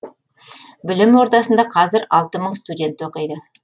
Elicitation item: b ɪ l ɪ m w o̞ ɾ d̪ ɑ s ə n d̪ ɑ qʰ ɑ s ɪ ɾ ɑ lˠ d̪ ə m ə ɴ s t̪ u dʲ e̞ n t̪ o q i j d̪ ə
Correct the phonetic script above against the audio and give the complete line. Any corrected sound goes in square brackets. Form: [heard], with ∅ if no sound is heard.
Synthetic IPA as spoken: b ɪ l ɪ m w o̞ ɾ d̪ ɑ s ə n d̪ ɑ qʰ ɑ [z] ɪ ɾ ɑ lˠ [t̪] ə m ə ɴ s t̪ u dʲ e̞ n t̪ o q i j d̪ ə